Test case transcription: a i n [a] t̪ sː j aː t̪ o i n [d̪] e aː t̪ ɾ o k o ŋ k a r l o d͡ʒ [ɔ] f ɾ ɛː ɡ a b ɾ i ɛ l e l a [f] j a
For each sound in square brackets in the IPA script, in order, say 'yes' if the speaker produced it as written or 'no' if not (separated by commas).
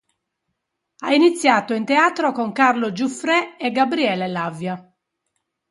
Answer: no, no, no, no